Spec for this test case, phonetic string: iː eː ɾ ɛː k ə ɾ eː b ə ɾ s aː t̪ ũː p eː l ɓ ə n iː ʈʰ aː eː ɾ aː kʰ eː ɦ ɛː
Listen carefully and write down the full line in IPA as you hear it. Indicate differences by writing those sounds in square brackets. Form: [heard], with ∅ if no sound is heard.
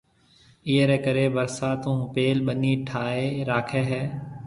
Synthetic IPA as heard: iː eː ɾ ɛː k ə ɾ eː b ə ɾ s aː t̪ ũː p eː l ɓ ə n iː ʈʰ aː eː ɾ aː kʰ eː ɦ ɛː